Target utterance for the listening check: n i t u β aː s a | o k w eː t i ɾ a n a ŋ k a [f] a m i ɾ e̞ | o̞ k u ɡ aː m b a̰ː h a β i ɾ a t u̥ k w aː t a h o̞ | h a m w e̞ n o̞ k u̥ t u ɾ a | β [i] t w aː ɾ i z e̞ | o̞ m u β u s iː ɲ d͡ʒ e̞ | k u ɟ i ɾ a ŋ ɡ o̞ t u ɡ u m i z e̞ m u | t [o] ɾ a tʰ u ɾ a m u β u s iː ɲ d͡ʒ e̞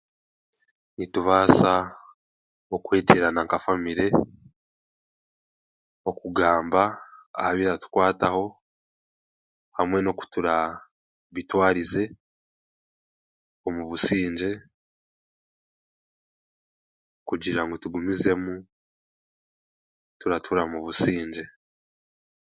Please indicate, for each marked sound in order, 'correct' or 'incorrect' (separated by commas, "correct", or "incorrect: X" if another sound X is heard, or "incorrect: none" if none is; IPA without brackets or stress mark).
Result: correct, correct, incorrect: u